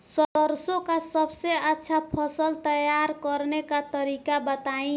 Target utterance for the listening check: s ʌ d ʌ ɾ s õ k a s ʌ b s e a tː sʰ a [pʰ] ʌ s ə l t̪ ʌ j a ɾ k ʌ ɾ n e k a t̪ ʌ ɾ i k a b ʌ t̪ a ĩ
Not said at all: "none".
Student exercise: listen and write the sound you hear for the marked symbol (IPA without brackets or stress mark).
pʰ